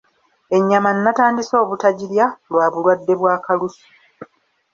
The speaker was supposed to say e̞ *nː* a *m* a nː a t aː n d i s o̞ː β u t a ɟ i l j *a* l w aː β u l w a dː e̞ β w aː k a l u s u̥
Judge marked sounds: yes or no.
no, yes, yes

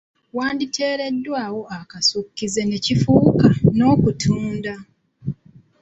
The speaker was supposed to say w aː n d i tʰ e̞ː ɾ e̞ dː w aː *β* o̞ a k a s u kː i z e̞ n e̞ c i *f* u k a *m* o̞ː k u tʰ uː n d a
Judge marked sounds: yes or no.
no, yes, no

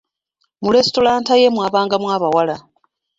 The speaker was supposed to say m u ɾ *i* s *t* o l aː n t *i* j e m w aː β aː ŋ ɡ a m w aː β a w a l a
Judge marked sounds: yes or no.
no, yes, no

